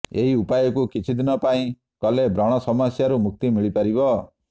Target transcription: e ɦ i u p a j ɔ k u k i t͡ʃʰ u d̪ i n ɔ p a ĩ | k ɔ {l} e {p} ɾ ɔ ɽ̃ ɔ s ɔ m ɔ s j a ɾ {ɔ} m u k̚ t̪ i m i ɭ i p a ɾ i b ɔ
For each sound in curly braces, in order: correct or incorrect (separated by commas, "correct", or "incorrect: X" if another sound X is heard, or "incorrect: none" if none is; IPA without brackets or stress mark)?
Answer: correct, incorrect: b, incorrect: u